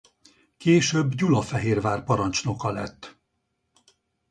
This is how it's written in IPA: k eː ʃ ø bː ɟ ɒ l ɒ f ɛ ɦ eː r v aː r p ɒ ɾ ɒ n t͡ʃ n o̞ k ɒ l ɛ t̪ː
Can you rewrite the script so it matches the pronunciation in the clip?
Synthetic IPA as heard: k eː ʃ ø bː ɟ u l ɒ f ɛ ɦ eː r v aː r p ɒ ɾ ɒ n t͡ʃ n o̞ k ɒ l ɛ t̪ː